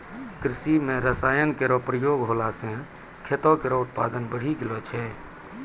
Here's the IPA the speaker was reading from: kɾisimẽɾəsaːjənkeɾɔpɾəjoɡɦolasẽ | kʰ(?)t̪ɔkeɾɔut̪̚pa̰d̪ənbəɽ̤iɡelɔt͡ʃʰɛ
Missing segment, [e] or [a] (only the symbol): e